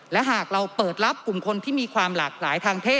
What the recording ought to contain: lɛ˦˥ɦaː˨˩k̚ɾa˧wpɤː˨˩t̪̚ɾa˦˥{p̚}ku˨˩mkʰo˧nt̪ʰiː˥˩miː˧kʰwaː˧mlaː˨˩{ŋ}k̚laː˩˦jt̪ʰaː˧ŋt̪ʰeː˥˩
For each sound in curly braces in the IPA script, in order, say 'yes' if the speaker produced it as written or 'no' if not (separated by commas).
yes, no